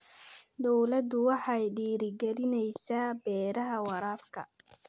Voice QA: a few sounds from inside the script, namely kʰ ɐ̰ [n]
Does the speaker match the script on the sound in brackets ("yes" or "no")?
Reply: no